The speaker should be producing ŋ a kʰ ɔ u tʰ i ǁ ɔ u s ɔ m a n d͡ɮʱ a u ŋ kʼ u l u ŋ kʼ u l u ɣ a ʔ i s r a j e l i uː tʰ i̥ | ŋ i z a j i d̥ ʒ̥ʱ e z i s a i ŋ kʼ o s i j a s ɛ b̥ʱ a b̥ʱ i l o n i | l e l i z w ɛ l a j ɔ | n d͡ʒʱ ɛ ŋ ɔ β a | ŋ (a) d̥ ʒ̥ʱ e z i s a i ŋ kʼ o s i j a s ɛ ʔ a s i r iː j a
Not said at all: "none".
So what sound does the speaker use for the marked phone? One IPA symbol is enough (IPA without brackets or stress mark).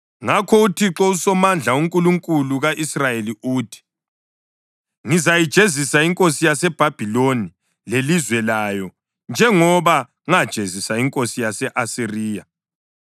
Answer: a